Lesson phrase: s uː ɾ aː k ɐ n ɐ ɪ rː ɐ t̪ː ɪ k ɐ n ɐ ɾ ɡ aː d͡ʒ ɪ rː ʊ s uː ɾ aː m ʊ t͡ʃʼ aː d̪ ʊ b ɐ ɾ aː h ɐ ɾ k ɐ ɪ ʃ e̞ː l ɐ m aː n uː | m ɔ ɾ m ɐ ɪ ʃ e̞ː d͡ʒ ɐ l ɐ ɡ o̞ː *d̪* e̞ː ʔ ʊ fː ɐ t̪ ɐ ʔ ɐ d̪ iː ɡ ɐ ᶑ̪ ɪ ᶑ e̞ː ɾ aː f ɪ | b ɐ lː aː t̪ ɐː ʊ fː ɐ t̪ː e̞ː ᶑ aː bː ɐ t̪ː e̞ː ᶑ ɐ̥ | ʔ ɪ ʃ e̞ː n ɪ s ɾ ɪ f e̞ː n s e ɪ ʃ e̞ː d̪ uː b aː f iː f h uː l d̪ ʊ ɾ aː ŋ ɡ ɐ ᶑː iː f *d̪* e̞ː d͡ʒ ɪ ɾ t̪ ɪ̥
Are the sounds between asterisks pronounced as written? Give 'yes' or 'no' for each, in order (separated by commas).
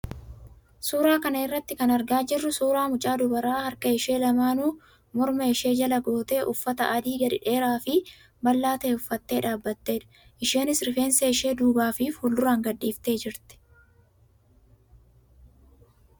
no, no